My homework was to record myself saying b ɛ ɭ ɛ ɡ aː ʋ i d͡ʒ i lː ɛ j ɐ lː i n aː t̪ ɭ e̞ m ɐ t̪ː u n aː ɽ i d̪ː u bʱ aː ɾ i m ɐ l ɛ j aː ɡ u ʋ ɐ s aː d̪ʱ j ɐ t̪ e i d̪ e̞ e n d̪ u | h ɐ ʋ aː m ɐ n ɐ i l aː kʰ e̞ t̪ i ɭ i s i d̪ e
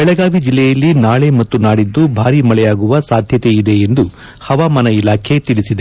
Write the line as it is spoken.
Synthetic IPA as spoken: b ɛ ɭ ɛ ɡ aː ʋ i d͡ʒ i lː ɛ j ɐ lː i n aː ɭ e̞ m ɐ t̪ː u n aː ɽ i d̪ː u bʱ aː ɾ i m ɐ ɭ ɛ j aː ɡ u ʋ ɐ s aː d̪ʱ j ɐ t̪ e i d̪ e̞ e n d̪ u | h ɐ ʋ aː m ɐ n ɐ i l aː kʰ e̞ t̪ i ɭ i s i d̪ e